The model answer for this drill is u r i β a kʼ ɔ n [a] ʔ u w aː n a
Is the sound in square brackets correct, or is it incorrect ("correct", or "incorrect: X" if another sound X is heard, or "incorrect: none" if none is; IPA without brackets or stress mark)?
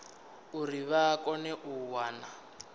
incorrect: ɛ